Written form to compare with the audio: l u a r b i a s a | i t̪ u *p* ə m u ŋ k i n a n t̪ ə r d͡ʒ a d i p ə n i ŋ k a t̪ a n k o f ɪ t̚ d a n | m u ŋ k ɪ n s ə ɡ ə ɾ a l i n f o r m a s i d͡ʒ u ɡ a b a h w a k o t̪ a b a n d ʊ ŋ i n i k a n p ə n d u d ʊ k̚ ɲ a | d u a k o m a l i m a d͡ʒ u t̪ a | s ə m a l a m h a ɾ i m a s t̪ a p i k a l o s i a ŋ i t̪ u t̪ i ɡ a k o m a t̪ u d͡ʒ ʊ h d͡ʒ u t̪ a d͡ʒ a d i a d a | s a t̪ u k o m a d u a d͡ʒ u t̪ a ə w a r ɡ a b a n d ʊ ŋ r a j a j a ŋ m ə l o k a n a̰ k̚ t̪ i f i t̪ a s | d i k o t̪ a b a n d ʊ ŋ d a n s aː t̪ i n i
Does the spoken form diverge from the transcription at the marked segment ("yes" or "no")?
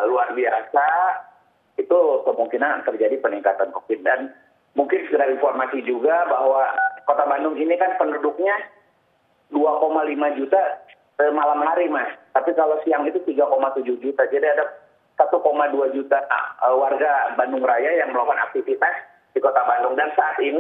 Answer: yes